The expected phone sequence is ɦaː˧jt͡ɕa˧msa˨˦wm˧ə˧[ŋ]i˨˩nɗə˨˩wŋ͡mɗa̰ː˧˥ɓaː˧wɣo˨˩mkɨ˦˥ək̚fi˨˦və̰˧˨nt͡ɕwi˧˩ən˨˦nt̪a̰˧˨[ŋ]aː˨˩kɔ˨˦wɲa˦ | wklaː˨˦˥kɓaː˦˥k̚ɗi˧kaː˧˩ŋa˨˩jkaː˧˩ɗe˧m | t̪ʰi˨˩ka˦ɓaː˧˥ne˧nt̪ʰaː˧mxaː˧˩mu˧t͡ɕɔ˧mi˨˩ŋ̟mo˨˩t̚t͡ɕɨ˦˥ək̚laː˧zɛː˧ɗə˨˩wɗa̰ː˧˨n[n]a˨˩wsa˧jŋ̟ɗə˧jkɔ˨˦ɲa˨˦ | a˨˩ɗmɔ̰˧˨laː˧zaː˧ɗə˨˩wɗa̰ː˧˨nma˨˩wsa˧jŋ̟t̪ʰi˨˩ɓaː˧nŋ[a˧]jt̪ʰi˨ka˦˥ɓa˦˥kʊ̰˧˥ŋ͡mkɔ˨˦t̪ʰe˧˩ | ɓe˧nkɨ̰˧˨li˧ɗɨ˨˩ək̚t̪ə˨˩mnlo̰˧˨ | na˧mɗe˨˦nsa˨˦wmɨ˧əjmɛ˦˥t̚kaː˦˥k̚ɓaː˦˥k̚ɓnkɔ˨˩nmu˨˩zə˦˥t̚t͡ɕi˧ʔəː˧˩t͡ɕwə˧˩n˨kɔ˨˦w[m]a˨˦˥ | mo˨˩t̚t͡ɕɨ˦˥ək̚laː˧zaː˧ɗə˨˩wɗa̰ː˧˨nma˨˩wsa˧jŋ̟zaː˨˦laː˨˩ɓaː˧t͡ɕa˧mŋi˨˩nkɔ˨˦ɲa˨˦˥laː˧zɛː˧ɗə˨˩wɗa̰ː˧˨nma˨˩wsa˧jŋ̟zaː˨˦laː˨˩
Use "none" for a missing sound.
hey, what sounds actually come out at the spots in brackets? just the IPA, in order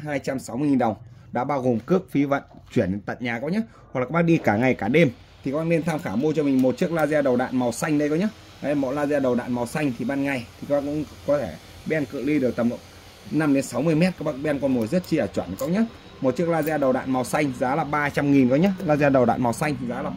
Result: ŋ, ɲ, m, a˨˩, ɲ

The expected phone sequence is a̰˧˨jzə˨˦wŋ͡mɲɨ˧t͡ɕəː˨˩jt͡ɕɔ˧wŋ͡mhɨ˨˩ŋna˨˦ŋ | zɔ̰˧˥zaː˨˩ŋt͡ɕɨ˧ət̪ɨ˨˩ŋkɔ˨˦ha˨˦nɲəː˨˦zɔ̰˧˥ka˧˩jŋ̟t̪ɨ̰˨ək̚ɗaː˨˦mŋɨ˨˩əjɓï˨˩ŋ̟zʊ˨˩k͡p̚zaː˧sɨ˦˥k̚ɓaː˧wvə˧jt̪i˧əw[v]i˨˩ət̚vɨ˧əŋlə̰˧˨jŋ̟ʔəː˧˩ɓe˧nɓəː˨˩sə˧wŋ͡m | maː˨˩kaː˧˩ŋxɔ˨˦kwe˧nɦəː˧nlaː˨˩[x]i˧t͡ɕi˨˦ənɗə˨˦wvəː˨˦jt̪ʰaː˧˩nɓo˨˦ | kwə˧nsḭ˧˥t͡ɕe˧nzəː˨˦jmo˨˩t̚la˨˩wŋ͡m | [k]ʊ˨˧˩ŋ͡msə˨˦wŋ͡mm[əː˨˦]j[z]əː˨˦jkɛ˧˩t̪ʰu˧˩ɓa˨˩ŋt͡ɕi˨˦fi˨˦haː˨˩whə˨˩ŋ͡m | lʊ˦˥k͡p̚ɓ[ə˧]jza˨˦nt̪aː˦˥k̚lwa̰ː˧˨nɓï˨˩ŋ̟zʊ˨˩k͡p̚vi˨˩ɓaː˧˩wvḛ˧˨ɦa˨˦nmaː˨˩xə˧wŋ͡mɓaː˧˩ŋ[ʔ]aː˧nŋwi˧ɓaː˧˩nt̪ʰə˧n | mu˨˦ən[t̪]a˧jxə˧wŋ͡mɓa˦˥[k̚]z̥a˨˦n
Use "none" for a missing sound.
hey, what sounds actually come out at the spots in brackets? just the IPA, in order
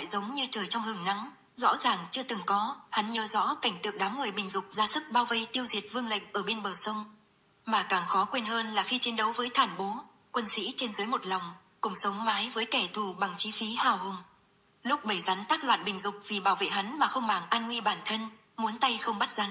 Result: z, x, k, aː˨˦, v, ə˧˩, ʔ, t̪, t̚

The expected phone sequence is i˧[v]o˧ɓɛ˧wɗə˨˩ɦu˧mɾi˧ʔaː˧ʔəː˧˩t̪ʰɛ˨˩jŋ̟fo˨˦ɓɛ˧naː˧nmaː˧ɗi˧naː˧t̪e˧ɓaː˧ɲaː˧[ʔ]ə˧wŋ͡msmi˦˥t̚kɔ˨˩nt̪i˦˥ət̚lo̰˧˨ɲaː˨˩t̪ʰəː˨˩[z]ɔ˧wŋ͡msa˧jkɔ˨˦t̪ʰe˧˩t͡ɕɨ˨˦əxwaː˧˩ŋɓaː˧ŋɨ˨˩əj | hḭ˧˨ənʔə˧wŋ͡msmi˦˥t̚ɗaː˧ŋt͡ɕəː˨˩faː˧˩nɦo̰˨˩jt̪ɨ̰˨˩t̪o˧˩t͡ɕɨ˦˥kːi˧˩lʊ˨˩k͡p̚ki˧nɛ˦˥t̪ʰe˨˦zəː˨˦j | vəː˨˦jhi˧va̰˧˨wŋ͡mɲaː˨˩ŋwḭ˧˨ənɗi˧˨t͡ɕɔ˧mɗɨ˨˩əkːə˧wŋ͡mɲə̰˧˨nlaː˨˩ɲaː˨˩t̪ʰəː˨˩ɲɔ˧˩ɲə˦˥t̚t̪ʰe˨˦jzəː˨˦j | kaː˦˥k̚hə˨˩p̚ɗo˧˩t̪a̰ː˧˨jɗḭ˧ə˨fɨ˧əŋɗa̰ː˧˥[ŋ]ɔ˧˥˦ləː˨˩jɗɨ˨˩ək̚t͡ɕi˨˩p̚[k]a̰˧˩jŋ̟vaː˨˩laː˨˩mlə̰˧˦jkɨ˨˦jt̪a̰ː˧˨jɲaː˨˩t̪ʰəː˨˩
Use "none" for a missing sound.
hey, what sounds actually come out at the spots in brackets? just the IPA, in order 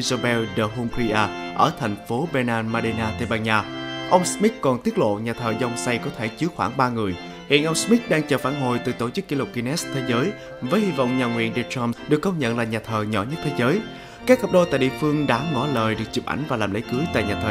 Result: z, ʔ, z, ŋ, ʔ

